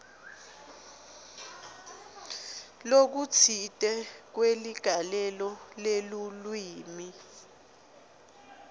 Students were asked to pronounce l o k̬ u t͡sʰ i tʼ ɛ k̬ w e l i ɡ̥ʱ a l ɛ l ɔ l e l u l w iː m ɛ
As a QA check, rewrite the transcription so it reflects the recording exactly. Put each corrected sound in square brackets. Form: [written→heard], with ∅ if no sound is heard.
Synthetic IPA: l o k̬ u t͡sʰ i tʼ ɛ k̬ w e l i ɡ̥ʱ a l ɛ l ɔ l e l u l w iː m [ɛ→i]